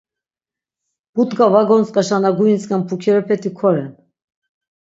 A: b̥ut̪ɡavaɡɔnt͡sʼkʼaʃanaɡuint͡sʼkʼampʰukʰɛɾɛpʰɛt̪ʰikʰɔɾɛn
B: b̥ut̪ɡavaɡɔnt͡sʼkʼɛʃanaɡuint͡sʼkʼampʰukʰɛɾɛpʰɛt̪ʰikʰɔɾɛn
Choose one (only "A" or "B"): A